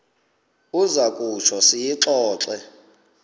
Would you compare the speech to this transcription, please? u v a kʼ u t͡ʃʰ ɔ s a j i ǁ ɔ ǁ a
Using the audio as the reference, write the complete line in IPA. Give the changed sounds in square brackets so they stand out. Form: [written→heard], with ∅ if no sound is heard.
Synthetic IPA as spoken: u [v→z] a kʼ u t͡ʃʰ ɔ s [a→i] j i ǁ [ɔ→ɔː] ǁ [a→ɛ]

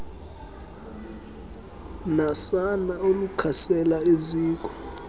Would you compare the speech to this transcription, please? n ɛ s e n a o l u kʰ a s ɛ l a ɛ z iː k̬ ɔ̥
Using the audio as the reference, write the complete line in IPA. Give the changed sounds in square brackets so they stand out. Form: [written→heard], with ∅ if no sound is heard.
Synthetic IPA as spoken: n [ɛ→a] s [e→a] n a o l u kʰ a s ɛ l a [ɛ→e] z iː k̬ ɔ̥

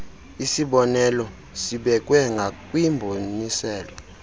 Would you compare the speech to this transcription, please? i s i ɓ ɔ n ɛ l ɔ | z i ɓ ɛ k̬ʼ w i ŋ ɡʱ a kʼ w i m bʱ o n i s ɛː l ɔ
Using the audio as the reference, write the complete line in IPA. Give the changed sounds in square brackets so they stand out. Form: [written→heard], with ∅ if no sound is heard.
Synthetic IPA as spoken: i s i ɓ ɔ n ɛ l ɔ | [z→s] i ɓ ɛ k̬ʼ w [i→ɛ] ŋ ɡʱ a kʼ w i m bʱ o n i s ɛː l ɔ

